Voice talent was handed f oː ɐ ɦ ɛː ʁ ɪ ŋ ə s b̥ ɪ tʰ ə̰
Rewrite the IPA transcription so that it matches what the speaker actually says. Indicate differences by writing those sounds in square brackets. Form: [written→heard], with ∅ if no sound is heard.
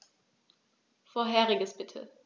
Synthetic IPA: f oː ɐ ɦ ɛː ʁ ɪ [ŋ→ɡ] ə s b̥ ɪ tʰ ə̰